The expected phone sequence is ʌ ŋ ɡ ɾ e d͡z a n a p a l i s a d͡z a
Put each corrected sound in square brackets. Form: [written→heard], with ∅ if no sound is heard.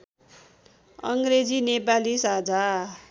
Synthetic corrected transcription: ʌ ŋ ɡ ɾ e d͡z [a→i] n [a→e] p a l i s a d͡z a